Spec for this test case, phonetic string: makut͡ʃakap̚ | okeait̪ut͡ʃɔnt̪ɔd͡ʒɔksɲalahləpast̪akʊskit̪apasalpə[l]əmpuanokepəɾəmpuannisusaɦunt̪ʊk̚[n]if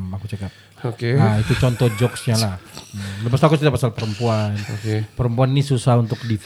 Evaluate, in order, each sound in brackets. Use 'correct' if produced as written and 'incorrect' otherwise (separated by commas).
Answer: incorrect, incorrect